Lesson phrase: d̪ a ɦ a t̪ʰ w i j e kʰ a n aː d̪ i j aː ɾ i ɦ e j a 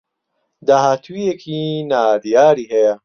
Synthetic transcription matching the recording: d̪ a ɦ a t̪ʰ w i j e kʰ i n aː d̪ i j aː ɾ i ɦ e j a

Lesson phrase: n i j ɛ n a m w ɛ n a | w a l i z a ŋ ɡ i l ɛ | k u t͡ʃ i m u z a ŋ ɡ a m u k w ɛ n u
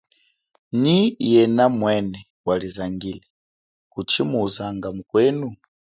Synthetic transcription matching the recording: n i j ɛ n a m w ɛ n ɛ | w a l i z a ŋ ɡ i l ɛ | k u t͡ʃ i m u z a ŋ ɡ a m u k w ɛ n u

